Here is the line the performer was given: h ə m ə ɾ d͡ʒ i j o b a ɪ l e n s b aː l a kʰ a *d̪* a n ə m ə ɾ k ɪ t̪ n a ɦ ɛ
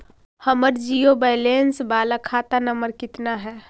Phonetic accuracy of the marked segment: incorrect: t̪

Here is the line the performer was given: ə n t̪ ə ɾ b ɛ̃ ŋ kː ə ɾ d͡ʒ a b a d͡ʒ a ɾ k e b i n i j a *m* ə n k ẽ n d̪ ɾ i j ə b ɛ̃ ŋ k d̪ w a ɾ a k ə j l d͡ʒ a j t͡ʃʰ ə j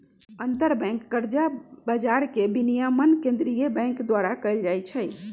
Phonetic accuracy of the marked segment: correct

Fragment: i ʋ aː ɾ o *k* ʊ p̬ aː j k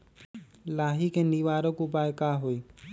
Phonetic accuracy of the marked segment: correct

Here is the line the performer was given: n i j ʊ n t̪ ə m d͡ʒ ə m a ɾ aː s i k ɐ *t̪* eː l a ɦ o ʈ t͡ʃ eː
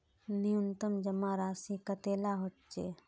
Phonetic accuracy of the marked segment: correct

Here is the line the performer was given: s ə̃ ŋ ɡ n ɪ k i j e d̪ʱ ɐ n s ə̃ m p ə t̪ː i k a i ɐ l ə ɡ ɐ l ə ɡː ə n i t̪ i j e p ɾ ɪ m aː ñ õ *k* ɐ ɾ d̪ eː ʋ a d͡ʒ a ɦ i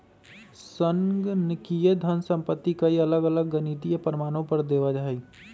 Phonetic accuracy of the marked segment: incorrect: p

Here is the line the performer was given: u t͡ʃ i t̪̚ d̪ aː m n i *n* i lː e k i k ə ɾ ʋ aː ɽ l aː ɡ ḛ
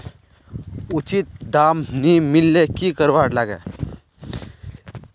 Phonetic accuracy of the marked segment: incorrect: m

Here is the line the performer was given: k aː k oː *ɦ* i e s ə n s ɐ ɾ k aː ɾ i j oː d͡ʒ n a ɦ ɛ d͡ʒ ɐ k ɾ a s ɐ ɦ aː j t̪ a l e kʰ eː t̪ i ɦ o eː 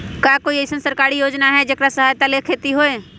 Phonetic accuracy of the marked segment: incorrect: none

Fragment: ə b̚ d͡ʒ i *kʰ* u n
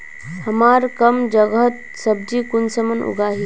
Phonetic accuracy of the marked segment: incorrect: k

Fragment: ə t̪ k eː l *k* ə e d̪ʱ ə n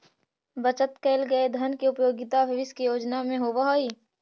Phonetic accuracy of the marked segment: incorrect: ɡ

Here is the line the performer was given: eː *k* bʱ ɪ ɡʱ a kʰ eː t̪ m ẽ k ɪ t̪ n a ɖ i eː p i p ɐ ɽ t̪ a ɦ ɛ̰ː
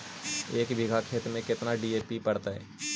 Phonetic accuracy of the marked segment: correct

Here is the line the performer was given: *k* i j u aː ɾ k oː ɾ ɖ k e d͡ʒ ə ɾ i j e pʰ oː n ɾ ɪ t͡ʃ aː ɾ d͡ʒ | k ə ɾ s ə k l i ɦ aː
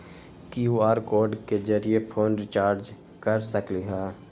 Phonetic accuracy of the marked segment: correct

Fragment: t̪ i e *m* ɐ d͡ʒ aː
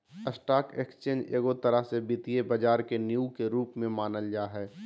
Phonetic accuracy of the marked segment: incorrect: b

